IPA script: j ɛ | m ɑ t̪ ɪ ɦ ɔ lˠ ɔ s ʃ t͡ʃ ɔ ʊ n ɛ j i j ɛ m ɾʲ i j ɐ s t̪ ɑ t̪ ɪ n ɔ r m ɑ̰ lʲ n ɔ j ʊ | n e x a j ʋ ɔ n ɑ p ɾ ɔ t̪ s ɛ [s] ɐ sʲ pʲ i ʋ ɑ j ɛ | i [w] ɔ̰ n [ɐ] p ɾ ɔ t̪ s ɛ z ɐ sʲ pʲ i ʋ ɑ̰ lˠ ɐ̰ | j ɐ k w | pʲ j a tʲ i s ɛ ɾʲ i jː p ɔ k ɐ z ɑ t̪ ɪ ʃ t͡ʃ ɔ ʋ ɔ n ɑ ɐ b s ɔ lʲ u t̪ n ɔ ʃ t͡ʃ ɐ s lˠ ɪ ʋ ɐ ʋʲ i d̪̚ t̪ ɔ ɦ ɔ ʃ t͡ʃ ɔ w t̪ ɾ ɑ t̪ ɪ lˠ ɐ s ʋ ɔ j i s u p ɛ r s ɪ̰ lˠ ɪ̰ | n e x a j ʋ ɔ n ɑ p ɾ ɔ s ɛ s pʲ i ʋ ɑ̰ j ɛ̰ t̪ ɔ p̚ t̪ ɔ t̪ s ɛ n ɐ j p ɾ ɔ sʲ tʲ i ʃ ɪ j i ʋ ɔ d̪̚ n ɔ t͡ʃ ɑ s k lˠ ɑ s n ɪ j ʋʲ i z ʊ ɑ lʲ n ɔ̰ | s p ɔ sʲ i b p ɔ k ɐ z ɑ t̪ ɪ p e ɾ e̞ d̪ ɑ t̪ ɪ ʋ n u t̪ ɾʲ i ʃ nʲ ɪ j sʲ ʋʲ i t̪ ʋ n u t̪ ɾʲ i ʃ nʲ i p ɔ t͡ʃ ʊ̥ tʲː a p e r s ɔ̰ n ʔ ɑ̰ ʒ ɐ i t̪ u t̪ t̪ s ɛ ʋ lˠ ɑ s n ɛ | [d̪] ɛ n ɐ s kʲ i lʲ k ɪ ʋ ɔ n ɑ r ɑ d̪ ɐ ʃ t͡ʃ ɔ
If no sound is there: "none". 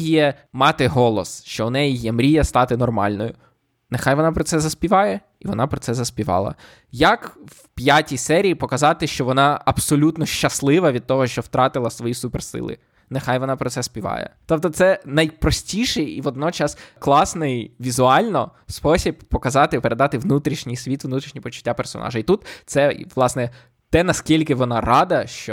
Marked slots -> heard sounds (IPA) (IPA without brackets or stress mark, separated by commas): z, ʋ, ɑ, t̪